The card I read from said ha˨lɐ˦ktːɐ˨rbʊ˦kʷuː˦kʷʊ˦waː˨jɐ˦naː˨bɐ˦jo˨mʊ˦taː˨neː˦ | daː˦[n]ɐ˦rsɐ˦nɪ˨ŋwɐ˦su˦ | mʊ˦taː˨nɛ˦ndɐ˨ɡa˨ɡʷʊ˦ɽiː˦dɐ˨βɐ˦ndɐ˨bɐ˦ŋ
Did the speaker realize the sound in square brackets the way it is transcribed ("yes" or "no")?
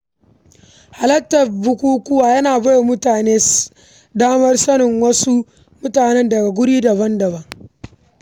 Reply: no